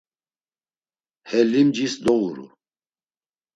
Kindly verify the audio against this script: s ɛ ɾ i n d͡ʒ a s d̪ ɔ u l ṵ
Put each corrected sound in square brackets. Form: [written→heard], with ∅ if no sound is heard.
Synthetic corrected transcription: [s→h] ɛ [ɾ→l] i [n→m] d͡ʒ [a→i] s d̪ ɔ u [l→ɾ] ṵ